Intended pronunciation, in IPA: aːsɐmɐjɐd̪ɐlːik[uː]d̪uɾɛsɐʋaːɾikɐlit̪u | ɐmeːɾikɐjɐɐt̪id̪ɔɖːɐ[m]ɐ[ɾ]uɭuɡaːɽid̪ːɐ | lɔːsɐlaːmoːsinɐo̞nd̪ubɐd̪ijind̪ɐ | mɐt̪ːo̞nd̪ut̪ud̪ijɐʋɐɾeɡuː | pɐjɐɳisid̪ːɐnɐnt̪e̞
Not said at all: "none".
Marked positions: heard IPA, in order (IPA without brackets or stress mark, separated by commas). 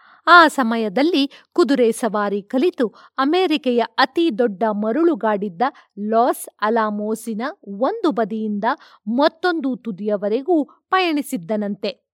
u, m, ɾ